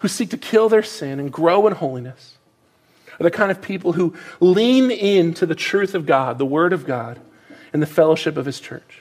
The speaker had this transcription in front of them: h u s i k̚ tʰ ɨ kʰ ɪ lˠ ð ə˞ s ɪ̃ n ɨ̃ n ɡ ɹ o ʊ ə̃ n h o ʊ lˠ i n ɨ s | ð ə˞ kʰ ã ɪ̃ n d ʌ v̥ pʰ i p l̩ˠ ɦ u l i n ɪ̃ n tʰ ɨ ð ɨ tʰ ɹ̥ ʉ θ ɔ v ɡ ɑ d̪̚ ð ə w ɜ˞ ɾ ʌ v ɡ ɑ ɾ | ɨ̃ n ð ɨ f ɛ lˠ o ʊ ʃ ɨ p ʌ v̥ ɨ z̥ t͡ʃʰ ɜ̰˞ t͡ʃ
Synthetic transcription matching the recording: h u s i k̚ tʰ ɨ kʰ ɪ lˠ ð ə˞ s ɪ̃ n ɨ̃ n ɡ ɹ o ʊ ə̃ n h o ʊ lˠ i n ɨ s | ð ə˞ kʰ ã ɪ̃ n d ʌ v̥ pʰ i p l̩ˠ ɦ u l ĩ n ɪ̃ n tʰ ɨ ð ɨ tʰ ɹ̥ ʉ θ ʌ v ɡ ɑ d̪̚ ð ə w ɜ˞ ɾ ʌ v ɡ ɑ ɾ | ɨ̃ n ð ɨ f ɛ lˠ o ʊ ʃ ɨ p ʌ v̥ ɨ z̥ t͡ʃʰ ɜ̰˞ t͡ʃ